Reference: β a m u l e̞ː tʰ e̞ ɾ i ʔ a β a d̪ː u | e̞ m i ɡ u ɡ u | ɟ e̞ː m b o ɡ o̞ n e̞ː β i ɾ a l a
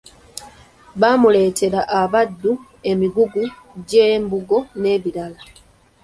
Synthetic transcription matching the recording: β a m u l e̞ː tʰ e̞ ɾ a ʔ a β a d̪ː u | e̞ m i ɡ u ɡ u | ɟ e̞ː m b u ɡ o̞ n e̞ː β i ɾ a l a

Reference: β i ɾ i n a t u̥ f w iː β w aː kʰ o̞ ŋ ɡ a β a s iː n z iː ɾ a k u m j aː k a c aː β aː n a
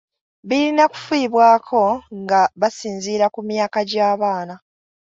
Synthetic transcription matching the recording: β i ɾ i n a k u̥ f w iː β w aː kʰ o̞ ŋ ɡ a β a s iː n z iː ɾ a k u m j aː k a ɟ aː β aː n a

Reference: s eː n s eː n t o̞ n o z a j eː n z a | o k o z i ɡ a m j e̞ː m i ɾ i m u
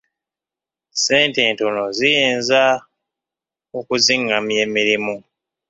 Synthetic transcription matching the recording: s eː n t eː n t o̞ n o z i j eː n z a | o k u z i ŋ a m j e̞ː m i ɾ i m u

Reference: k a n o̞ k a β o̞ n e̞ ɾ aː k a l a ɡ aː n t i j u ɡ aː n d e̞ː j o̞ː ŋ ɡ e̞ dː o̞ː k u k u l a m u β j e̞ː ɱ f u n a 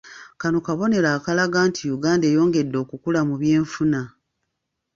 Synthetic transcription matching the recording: k a n o̞ k a β o̞ n e̞ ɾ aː k a l a ɡ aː n t i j u ɡ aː n d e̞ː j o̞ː ŋ ɡ e̞ dː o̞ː k u k u l a m u β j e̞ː ɱ f u n a

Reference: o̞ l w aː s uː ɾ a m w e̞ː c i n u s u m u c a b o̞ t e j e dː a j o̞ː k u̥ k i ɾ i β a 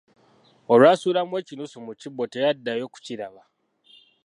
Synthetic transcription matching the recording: o̞ l w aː s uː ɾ a m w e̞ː c i n u s u m u c i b o̞ t e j a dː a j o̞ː k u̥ c i ɾ a β a

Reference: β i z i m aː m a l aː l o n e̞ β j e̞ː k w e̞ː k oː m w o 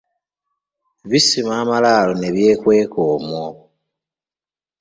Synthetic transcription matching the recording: β i s i m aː m a l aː l o n e̞ β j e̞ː k w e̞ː k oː m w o

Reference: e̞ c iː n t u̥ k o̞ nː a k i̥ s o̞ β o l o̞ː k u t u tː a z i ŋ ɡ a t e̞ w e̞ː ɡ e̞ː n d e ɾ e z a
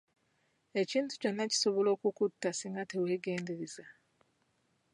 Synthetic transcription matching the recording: e̞ c iː n t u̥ c o̞ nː a c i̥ s o̞ β o l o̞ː k u k u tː a s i ŋ ɡ a t e̞ w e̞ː ɡ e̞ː n d e ɾ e z a

